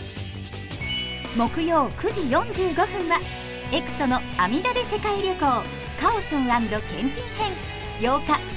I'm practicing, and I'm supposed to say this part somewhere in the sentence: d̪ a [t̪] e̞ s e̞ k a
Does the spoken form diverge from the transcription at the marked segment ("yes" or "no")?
yes